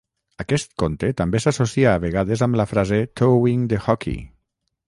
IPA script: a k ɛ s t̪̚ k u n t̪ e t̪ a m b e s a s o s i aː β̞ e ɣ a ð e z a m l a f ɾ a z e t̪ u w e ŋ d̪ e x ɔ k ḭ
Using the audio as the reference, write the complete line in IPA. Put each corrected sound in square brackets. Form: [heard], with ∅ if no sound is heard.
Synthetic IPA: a k ɛ s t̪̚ k [o] n t̪ e t̪ a m b e s a s o s i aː β̞ e ɣ a ð e z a m l a f ɾ a z e t̪ [o] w [i] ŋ d̪ e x ɔ k ḭ